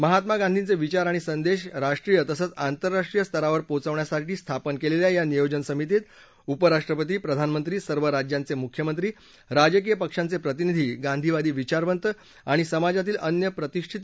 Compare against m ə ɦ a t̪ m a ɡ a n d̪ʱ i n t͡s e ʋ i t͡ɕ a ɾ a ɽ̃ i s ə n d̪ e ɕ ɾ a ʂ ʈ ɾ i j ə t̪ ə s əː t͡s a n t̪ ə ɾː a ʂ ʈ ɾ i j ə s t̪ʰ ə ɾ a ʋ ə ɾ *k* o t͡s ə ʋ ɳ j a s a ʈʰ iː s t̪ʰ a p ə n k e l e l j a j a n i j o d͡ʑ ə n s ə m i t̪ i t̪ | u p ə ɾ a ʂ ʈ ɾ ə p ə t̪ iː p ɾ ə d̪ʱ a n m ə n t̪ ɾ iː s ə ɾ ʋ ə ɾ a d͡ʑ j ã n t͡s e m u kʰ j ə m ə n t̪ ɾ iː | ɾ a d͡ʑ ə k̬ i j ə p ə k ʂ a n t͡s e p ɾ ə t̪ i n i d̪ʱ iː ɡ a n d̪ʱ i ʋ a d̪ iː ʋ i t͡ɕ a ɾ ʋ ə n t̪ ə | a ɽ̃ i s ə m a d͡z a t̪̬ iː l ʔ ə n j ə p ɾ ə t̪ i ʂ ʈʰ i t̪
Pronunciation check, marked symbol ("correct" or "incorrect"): incorrect